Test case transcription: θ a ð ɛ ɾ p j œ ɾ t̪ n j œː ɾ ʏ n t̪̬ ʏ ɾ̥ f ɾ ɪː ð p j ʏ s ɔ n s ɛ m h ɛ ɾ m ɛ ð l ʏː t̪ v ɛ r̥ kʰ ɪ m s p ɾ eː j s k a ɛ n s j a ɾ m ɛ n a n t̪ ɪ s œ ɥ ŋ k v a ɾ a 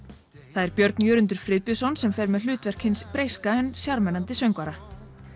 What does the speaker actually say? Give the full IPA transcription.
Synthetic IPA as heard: θ a ð ɛ ɾ p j œ ɾ t̪ n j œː ɾ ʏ n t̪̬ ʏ ɾ̥ f ɾ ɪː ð p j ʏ s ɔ n s ɛ m f ɛ ɾ m ɛ ð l ʏː t̪ v ɛ r̥ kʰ ɪ n s p ɾ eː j s k a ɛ n s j a ɾ m ɛ n a n t̪ ɪ s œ ɥ ŋ k v a ɾ a

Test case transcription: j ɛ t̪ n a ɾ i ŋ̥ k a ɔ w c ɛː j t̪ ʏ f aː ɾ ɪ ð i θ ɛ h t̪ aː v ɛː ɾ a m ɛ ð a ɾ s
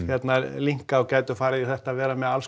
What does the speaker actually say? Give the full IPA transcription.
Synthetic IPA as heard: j ɛ t̪ n a l i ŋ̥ k a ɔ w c aː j t̪ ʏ f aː ɾ ɪ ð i θ ɛ h t̪ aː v ɛː ɾ a m ɛ ð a l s

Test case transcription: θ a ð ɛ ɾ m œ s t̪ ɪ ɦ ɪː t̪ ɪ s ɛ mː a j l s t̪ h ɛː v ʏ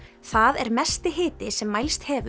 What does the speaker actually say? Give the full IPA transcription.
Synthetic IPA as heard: θ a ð ɛ ɾ m ɛ s t̪ ɪ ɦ ɪː t̪ ɪ s ɛ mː a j l s t̪ h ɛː v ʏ

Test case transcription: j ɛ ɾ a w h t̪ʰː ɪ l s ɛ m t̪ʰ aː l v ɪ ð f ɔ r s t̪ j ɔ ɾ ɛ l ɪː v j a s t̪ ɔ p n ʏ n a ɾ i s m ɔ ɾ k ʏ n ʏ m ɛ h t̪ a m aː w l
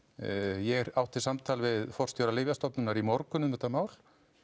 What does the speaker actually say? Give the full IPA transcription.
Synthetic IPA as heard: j ɛ ɾ a w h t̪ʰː ɪ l s a m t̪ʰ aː l v ɪ ð f ɔ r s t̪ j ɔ ɾ a l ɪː v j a s t̪ ɔ p n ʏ n a ɾ i m ɔ ɾ k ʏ n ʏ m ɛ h t̪ a m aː w l

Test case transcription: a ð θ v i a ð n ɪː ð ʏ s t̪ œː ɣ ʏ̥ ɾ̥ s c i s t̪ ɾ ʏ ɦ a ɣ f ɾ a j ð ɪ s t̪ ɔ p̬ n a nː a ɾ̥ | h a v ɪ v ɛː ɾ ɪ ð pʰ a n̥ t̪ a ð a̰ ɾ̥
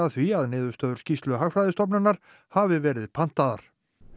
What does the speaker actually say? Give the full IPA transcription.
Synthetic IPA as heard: a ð θ v i a ð n ɪː ð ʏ s t̪ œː ð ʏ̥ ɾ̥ s c i s t̪ l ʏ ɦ a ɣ f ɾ a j ð ɪ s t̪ ɔ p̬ n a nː a ɾ̥ | h a v ɪ v ɛː ɾ ɪ ð pʰ a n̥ t̪ a ð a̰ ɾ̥

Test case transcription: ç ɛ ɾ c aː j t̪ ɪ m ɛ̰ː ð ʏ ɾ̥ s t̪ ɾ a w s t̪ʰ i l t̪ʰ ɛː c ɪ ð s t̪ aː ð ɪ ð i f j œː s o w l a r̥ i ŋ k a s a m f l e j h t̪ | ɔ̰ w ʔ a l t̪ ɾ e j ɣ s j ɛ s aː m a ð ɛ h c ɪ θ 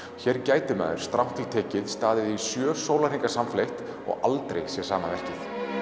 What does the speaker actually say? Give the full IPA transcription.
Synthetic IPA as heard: ç ɛ ɾ c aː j t̪ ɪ m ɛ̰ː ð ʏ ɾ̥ s t̪ ɾ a w h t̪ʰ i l t̪ʰ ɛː c ɪ ð s t̪ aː ð ɪ ð i s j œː s o w l a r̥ i ŋ k a s a m f l e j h t̪ | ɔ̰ ɣ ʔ a l t̪ ɾ e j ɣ s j ɛ s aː m a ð ɛ h c ɪ θ

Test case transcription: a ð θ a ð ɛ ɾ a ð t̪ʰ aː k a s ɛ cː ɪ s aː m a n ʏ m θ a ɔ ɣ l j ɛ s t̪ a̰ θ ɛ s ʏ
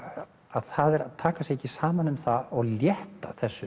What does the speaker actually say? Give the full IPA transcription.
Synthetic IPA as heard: a ð θ a ð ɛ ɾ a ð t̪ʰ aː k a s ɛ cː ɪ s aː m a n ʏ m θ a ɔ ɣ l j ɛ h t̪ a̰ θ ɛ sː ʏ

